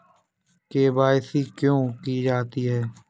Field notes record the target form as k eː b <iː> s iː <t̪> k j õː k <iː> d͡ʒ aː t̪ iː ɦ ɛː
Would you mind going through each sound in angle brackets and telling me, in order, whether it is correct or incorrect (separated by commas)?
incorrect, incorrect, correct